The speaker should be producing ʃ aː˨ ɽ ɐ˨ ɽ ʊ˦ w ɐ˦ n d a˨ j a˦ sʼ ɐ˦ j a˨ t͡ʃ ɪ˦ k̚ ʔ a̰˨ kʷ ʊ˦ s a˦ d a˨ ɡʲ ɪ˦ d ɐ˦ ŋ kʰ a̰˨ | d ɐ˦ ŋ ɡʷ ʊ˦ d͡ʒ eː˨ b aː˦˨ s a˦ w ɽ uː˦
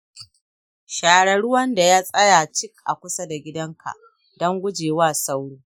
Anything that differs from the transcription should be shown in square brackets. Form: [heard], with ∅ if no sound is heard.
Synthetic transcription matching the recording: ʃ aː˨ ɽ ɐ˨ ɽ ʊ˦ w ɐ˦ n d a˨ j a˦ sʼ ɐ˦ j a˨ t͡ʃ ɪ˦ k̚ ʔ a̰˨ kʷ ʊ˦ s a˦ d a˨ ɡʲ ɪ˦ d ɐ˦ ŋ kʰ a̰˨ | d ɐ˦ ŋ ɡʷ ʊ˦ d͡ʒ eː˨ [w] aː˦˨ s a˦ w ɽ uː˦